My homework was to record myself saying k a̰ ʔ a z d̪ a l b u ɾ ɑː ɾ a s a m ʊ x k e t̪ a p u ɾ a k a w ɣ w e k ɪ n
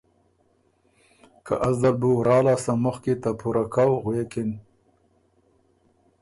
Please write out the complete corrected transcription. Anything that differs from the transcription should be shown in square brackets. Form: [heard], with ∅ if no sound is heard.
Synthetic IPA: k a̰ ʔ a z d̪ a l b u ɾ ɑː [l] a s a m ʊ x k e t̪ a p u ɾ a k a w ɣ w e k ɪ n